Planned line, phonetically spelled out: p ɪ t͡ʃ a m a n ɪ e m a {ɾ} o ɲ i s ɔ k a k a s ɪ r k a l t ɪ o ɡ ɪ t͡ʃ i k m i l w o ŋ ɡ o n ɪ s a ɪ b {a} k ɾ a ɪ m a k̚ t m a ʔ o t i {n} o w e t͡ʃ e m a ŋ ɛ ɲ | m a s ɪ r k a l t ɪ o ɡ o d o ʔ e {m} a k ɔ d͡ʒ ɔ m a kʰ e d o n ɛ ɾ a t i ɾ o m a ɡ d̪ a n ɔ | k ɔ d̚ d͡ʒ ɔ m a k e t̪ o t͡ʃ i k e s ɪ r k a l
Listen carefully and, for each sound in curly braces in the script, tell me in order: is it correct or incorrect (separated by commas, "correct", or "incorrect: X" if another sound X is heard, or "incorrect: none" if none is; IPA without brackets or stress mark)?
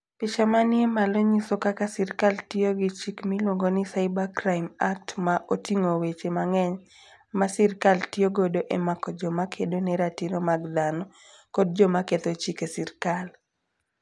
incorrect: l, correct, incorrect: ŋ, correct